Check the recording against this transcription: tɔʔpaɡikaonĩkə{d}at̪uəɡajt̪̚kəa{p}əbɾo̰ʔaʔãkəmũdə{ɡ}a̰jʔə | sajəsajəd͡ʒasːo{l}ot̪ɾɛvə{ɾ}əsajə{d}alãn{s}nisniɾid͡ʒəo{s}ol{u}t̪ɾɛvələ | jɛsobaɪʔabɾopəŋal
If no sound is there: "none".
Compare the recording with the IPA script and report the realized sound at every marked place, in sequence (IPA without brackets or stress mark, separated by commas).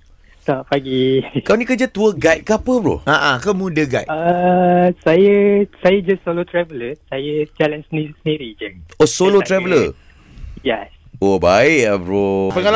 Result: d͡ʒ, p, ɡ, l, l, d͡ʒ, s, s, o